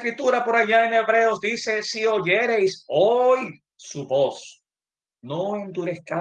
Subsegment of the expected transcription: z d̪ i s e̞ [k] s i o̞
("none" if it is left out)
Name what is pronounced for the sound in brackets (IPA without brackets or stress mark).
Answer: none